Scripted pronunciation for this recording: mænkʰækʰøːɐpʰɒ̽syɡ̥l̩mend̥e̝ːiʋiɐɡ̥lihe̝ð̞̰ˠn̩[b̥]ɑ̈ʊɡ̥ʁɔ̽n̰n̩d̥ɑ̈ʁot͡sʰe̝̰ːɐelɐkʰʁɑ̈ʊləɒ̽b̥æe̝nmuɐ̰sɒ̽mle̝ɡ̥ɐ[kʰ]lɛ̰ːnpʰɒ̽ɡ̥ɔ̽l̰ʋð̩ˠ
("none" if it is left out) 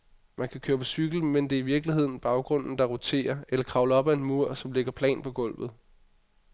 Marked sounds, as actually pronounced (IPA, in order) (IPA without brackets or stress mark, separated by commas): b̥, pʰ